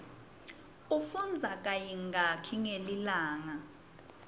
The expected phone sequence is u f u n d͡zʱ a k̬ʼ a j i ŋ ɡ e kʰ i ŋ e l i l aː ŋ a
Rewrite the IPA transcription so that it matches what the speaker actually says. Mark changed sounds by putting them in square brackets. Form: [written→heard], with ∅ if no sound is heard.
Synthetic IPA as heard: u f u n d͡zʱ a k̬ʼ a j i ŋ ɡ [e→a] kʰ i ŋ e l i l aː ŋ a